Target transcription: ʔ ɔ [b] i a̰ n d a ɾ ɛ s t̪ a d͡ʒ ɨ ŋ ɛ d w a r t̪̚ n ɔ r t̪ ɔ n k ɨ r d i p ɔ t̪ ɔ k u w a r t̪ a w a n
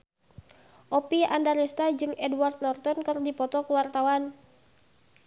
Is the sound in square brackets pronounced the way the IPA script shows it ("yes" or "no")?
no